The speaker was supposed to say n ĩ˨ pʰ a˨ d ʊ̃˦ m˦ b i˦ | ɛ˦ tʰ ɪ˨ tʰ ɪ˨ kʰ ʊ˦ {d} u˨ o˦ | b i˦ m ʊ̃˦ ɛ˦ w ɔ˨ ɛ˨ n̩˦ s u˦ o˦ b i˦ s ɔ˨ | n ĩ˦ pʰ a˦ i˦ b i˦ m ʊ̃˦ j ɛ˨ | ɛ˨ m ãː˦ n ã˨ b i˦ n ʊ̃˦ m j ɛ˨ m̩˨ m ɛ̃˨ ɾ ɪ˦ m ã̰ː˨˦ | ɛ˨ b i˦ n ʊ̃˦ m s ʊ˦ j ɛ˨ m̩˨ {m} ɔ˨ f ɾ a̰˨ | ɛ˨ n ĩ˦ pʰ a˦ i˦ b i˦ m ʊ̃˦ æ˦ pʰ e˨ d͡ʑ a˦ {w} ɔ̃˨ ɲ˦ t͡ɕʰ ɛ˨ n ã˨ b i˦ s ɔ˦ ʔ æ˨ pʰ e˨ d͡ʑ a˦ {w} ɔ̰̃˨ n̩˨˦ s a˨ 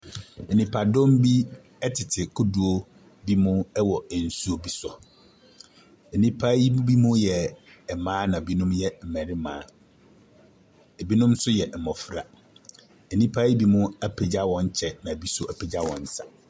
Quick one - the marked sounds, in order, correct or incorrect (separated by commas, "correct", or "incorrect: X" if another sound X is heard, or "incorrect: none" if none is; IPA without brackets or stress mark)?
correct, correct, correct, correct